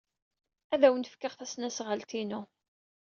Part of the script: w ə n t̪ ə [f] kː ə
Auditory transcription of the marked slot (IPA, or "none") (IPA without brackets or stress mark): f